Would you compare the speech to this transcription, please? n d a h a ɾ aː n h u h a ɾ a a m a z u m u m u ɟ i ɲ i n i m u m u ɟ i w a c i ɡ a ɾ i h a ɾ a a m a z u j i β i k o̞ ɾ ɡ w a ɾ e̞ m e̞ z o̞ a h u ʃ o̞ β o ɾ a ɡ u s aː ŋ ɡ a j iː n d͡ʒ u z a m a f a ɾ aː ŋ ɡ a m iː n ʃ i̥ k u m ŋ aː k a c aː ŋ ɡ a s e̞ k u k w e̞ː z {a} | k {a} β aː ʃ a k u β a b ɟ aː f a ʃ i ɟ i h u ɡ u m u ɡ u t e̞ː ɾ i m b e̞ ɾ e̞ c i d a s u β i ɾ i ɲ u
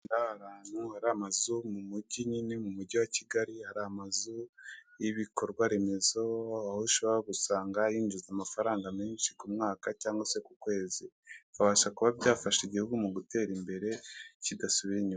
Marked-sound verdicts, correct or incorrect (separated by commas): incorrect, correct